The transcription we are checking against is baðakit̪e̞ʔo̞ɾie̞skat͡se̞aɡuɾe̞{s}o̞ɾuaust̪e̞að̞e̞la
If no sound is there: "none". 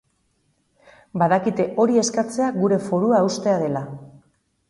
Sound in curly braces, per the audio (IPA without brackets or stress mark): f